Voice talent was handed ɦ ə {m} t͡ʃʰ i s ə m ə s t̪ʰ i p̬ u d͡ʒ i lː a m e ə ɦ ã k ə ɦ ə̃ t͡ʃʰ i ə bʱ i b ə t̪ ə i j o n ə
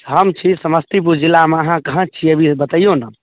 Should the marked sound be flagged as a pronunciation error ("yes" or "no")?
no